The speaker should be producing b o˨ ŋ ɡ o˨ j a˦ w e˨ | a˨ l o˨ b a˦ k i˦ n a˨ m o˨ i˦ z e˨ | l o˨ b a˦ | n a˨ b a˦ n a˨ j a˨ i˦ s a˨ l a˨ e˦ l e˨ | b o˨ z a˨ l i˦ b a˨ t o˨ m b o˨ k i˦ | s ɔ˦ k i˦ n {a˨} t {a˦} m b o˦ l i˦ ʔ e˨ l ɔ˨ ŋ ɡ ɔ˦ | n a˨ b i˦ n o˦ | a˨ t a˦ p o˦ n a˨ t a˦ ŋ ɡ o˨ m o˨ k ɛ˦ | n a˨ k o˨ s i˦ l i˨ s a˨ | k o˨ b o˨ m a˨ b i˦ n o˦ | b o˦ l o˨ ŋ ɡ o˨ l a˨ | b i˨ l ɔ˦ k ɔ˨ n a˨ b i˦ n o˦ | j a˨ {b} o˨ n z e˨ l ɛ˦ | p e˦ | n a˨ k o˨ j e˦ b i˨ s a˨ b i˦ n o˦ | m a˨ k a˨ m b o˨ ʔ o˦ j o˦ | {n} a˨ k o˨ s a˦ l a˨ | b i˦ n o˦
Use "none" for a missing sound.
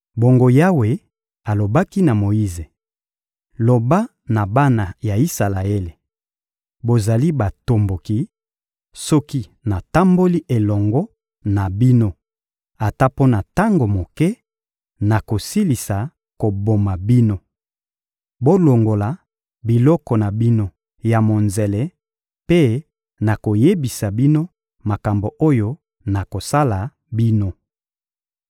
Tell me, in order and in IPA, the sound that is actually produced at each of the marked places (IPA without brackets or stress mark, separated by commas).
a˨, a˦, m, n